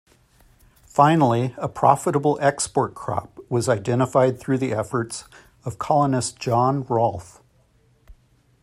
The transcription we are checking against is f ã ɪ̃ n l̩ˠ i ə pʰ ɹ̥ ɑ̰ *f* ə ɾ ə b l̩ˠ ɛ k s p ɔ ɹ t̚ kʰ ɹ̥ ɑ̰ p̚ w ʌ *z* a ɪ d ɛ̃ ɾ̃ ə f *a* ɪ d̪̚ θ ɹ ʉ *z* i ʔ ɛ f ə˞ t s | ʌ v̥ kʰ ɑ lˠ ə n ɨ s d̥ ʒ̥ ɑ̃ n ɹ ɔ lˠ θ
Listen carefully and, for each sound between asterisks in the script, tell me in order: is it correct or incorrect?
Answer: correct, correct, correct, incorrect: ð

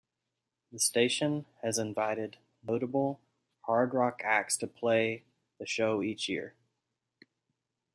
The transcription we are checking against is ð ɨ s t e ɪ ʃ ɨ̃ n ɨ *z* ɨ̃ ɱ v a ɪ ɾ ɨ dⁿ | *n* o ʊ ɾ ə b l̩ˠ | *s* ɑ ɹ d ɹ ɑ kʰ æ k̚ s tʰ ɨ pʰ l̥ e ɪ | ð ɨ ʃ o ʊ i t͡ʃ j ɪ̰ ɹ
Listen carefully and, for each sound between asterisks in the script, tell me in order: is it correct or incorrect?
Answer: correct, correct, incorrect: h

